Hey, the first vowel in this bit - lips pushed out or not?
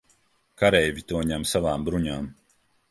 no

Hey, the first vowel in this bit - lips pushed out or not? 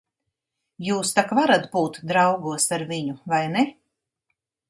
yes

